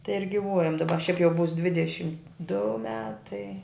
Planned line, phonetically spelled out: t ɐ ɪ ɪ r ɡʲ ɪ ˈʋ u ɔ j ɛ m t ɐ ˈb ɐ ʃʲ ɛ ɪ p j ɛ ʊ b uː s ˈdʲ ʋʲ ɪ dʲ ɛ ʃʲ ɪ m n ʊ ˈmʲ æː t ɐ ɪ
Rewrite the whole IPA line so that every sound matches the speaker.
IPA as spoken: t ɐ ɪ ɪ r ɡʲ ɪ ˈʋ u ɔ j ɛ m d ɐ ˈb ɐ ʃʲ ɛ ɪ p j ɛ ʊ b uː s ˈdʲ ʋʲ ɪ dʲ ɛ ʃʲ ɪ m d ʊ ˈmʲ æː t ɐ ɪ